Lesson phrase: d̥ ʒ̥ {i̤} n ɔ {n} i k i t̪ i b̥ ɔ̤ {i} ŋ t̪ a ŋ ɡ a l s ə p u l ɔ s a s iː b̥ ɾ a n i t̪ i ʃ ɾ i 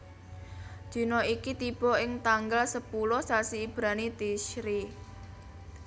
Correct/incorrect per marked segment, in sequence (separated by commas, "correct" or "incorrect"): correct, incorrect, incorrect